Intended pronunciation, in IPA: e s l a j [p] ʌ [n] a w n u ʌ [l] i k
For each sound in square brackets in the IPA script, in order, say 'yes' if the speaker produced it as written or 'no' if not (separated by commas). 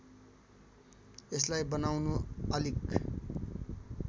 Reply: no, yes, yes